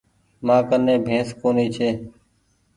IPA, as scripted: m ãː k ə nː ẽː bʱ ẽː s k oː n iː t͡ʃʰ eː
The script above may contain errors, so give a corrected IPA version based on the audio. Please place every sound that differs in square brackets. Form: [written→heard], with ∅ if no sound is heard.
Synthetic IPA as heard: m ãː k ə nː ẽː bʱ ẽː s k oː n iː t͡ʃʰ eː